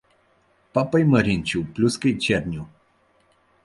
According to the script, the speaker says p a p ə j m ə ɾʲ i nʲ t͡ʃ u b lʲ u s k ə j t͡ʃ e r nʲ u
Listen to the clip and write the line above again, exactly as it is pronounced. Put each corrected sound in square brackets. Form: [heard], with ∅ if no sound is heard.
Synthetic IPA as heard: p a p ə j m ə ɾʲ i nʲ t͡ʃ u [p] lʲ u s k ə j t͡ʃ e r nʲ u